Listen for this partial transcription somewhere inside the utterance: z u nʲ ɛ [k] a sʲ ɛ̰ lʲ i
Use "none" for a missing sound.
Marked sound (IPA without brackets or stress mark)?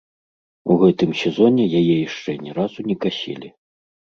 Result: k